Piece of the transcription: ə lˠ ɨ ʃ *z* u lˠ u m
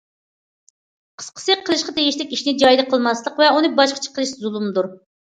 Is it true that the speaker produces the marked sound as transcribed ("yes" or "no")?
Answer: yes